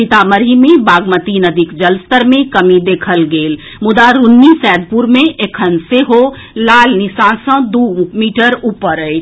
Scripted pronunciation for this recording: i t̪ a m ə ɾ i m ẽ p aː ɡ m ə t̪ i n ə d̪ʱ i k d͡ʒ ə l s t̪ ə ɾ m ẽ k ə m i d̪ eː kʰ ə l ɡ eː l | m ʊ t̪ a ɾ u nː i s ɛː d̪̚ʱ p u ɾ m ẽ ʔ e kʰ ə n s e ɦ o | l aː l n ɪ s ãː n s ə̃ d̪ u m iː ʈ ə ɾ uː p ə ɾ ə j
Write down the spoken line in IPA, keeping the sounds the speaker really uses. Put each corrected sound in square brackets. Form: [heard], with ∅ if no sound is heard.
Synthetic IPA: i t̪ a m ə ɾ i m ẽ [b] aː ɡ m ə t̪ i n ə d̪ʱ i k d͡ʒ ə l s t̪ ə ɾ m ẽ k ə m i d̪ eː kʰ ə l ɡ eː l | m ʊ [d̪] a ɾ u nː i s ɛː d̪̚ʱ p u ɾ m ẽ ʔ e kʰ ə n s e ɦ o | l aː l n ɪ s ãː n s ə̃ d̪ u m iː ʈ ə ɾ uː p ə ɾ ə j